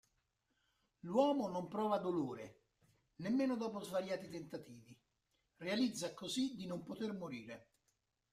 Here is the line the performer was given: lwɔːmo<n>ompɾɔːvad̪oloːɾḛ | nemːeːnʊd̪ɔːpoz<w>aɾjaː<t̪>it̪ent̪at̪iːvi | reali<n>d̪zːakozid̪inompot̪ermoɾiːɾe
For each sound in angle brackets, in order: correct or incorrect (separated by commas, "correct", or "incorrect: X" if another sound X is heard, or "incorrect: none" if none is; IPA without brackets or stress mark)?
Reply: correct, incorrect: v, correct, incorrect: none